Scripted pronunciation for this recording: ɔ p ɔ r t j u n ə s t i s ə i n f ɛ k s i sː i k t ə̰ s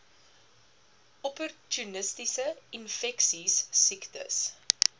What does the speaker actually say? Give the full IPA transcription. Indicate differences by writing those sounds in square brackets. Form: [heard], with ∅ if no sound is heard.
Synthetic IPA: ɔ p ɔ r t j u n ə s t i s ə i n f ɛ k s i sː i k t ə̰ s